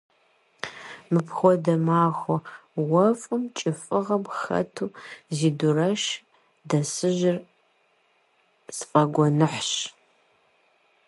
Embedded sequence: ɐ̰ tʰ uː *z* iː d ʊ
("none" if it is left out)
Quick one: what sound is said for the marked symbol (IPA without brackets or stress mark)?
z